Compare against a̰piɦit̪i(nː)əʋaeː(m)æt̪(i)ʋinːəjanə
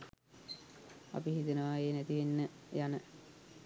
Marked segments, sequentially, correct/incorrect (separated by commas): incorrect, incorrect, correct